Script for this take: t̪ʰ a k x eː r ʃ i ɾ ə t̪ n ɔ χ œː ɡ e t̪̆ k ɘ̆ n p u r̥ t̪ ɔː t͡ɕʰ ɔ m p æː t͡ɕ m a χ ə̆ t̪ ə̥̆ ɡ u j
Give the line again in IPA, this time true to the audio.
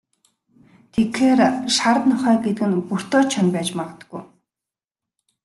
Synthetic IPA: t̪ʰ e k x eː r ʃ a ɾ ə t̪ n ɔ χ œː ɡ e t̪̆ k ɘ̆ n p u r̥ t̪ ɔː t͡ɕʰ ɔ n p æː t͡ɕ m a ʁ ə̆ t̪ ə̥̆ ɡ u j